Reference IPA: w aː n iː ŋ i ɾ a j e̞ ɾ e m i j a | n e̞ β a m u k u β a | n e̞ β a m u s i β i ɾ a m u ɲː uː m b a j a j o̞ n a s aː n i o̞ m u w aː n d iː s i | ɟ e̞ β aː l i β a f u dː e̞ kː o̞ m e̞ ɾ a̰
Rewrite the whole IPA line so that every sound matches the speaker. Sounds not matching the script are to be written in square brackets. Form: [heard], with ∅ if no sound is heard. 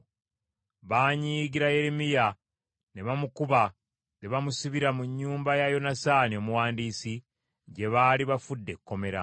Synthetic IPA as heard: [β] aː [ɲ] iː [ɡ] i ɾ a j e̞ ɾ e m i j a | n e̞ β a m u k u β a | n e̞ β a m u s i β i ɾ a m u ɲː uː m b a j a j o̞ n a s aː n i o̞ m u w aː n d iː s i | ɟ e̞ β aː l i β a f u dː e̞ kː o̞ m e̞ ɾ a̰

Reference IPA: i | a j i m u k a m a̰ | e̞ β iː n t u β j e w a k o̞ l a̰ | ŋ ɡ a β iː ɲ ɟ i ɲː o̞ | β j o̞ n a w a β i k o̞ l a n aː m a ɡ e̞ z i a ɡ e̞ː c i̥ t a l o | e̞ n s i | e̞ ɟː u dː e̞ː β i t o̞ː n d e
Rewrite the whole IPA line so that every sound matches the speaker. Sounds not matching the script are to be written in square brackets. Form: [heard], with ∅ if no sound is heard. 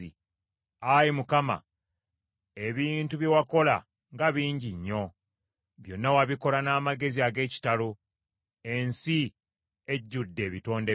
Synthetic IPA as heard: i | a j i m u k a m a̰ | e̞ β iː n t u β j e w a k o̞ l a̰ | ŋ ɡ a β iː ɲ ɟ i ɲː o̞ | β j o̞ [nː] a w a β i k o̞ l a n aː m a ɡ e̞ z i a ɡ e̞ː c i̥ t a l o | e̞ n s i | e̞ ɟː u dː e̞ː β i t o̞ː n d e

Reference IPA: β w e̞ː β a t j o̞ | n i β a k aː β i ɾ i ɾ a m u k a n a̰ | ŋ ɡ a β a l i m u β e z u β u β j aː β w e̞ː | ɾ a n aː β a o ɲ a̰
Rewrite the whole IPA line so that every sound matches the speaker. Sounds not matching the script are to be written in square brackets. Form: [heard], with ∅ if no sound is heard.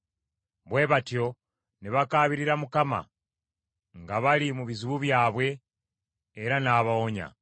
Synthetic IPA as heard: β w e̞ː β a t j o̞ | n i β a k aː β i ɾ i ɾ a m u k a [m] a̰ | ŋ ɡ a β a l i m u β [i] z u β u β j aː β w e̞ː | ɾ a n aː β a o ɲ a̰

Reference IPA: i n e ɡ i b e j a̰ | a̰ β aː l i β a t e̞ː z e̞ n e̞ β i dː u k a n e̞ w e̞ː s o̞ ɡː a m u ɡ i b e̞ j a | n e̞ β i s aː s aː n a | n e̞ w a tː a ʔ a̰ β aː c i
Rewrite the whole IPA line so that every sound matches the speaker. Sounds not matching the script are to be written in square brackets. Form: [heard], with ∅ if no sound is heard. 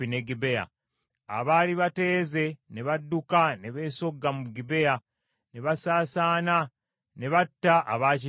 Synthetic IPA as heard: i n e ɡ i b e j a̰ | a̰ β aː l i β a t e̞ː z e̞ n e̞ β [a] dː u k a n e̞ [β] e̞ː s o̞ ɡː a m u ɡ i b e̞ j a | n e̞ β [a] s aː s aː n a | n e̞ [β] a tː a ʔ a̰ β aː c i

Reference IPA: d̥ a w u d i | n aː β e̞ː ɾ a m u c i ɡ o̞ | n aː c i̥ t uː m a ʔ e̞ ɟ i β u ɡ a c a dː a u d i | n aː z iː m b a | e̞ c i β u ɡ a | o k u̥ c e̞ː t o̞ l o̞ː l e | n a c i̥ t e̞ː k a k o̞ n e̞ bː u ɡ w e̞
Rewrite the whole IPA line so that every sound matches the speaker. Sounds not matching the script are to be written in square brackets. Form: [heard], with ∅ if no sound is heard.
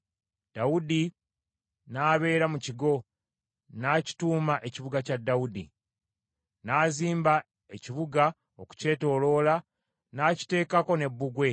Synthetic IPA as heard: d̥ a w u d i | n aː β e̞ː ɾ a m u c i ɡ o̞ | n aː c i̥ t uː m a ʔ e̞ [c] i β u ɡ a c a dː a u d i | n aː z iː m b a | e̞ c i β u ɡ a | o k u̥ c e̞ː t o̞ l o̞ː l [a] | n a c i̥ t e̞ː k a k o̞ n e̞ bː u ɡ w e̞

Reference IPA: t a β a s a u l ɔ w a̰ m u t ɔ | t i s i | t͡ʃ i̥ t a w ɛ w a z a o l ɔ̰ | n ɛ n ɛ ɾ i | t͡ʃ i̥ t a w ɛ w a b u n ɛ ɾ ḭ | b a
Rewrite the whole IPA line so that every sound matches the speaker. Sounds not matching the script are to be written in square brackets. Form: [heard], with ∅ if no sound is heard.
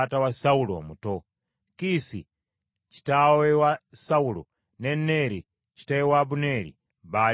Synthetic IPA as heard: t a [w] a s a u l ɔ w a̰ m u t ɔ | [k] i s i | t͡ʃ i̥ t a w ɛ w a [s] a [u] l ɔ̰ | n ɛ n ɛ ɾ i | t͡ʃ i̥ t a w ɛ w a b u n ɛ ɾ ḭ | b a

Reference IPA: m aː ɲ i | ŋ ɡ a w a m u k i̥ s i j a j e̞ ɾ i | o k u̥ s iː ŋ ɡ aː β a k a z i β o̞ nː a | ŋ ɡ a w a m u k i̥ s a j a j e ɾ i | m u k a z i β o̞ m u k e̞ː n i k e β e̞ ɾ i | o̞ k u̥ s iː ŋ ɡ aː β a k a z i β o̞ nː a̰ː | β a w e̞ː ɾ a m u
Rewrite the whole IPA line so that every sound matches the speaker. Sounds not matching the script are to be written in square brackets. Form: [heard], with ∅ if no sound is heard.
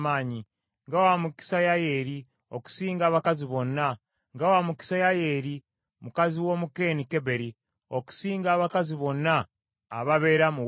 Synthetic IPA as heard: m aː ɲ i | ŋ ɡ a w a m u k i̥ s [a] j a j e̞ ɾ i | o k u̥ s iː ŋ ɡ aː β a k a z i β o̞ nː a | ŋ ɡ a w a m u k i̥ s a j a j e ɾ i | m u k a z i [w] o̞ m u k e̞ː n i k e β e̞ ɾ i | o̞ k u̥ s iː ŋ ɡ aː β a k a z i β o̞ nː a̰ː | β a [β] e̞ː ɾ a m u

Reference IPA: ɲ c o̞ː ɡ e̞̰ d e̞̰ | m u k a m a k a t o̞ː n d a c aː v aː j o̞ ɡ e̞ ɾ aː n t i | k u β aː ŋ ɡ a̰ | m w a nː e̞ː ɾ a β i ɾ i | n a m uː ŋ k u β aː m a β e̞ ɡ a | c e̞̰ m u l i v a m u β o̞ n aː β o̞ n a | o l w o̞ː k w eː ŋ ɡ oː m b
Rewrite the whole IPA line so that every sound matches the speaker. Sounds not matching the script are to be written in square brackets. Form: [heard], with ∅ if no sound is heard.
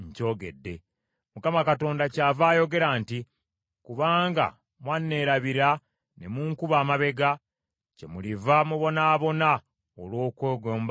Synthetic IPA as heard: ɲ c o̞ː ɡ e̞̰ [dː] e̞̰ | m u k a m a k a t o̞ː n d a c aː v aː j o̞ ɡ e̞ ɾ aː n t i | k u β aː ŋ ɡ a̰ | m w a nː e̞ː ɾ a β i ɾ [a] | n [e] m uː ŋ k u β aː m a β e̞ ɡ a | c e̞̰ m u l i v a m u β o̞ n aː β o̞ n a | o l w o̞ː k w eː [∅] ɡ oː m b

